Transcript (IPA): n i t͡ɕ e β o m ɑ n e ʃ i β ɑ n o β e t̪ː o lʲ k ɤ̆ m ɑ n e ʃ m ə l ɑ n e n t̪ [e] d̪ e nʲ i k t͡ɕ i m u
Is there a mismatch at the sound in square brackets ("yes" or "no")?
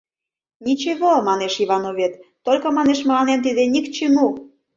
yes